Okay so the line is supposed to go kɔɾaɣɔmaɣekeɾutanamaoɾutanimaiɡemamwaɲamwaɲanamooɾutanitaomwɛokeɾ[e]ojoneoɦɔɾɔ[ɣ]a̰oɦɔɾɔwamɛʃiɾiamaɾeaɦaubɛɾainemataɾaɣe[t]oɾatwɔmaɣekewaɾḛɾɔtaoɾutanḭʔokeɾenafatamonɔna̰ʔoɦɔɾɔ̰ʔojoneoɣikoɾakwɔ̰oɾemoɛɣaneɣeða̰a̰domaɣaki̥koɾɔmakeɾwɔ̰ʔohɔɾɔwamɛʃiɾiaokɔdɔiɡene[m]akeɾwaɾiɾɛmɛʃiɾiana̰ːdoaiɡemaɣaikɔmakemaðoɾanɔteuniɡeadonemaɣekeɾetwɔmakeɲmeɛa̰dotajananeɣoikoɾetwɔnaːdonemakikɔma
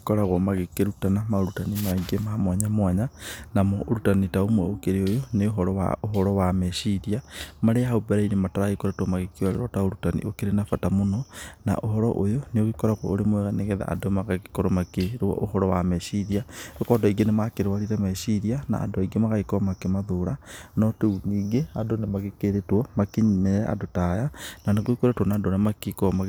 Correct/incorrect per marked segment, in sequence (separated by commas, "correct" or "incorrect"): correct, incorrect, incorrect, correct